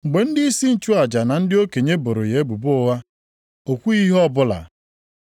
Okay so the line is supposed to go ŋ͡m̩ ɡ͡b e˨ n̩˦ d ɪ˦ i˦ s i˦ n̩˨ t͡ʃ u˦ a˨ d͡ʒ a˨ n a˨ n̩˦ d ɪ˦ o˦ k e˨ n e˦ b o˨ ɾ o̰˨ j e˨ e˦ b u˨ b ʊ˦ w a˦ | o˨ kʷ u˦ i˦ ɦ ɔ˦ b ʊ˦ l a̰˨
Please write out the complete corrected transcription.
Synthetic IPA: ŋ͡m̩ ɡ͡b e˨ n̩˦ d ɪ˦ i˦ s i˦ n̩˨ t͡ʃ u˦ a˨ d͡ʒ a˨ n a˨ n̩˦ d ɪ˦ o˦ k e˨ ɲ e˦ b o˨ ɾ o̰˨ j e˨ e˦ b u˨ b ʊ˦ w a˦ | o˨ kʷ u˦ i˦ ɦ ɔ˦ b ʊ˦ l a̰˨